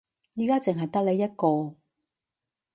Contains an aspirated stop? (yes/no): no